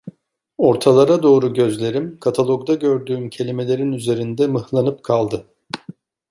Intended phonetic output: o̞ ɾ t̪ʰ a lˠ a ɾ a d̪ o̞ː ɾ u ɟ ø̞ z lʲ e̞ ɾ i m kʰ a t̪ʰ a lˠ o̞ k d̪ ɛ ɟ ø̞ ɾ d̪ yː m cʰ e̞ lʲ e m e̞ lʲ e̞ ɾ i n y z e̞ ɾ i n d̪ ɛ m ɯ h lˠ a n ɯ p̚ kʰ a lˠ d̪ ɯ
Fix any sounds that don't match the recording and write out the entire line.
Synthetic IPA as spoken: o̞ ɾ t̪ʰ a lˠ a ɾ a d̪ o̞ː ɾ u ɟ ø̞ z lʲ e̞ ɾ i m kʰ a t̪ʰ a lˠ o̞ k d̪ a ɟ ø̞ ɾ d̪ yː m cʰ e̞ lʲ i m e̞ lʲ e̞ ɾ i n y z e̞ ɾ i n d̪ ɛ m ɯ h lˠ a n ɯ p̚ kʰ a lˠ d̪ ɯ